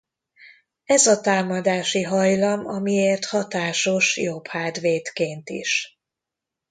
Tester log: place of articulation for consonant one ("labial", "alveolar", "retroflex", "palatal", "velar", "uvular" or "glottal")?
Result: alveolar